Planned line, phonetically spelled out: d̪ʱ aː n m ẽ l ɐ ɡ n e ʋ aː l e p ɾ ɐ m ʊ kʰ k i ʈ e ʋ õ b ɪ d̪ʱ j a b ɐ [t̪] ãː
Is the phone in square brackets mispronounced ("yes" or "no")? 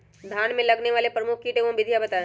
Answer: no